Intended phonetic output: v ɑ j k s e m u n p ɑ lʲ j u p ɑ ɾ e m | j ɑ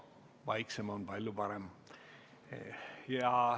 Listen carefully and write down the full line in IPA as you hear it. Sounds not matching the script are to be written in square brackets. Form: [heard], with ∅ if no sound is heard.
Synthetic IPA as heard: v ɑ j k s e m [o] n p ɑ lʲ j u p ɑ ɾ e m | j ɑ